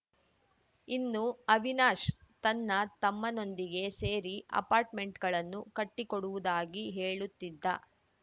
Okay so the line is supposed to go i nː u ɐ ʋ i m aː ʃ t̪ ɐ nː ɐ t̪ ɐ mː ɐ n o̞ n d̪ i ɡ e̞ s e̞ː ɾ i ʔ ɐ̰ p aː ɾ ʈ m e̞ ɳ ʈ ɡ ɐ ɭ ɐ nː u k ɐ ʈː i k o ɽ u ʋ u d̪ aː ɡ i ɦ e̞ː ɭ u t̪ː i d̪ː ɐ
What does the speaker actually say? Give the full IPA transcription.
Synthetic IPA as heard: i nː u ɐ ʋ i n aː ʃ t̪ ɐ nː ɐ t̪ ɐ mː ɐ n o̞ n d̪ i ɡ e̞ s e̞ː ɾ i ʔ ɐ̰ p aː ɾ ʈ m e̞ ɳ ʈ ɡ ɐ ɭ ɐ nː u k ɐ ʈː i k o ɽ u ʋ u d̪ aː ɡ i ɦ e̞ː ɭ u t̪ː i d̪ː ɐ